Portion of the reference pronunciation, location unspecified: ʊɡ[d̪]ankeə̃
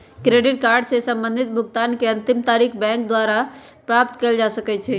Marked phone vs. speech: incorrect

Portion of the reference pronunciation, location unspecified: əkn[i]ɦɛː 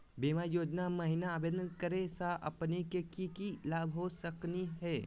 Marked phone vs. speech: correct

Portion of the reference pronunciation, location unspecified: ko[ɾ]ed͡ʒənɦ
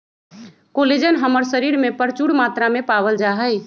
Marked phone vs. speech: incorrect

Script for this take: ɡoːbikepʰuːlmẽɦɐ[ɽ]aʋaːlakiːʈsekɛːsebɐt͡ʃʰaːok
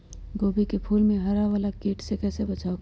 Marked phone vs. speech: incorrect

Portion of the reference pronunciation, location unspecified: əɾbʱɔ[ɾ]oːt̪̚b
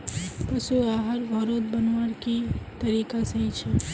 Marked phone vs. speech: correct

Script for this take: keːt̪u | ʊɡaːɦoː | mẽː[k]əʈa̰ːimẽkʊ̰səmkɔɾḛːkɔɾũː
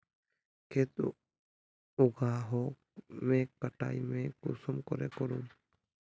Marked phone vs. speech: correct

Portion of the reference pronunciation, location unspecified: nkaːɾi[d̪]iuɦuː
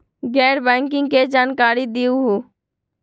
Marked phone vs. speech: correct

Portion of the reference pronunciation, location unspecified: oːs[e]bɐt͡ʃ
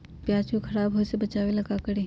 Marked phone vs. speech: correct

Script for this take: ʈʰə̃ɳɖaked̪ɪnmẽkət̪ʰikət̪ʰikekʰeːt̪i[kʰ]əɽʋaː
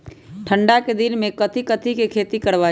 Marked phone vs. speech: incorrect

